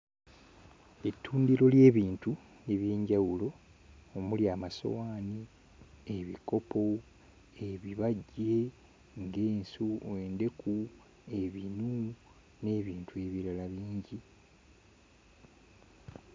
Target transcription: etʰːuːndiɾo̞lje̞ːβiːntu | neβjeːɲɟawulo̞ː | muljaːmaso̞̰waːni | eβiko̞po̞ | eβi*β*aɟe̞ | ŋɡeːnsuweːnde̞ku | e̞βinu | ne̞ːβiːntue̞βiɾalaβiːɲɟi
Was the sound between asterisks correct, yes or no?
yes